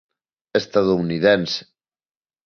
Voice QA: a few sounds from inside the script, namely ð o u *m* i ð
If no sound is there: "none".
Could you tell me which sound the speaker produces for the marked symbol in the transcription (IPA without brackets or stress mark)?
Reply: n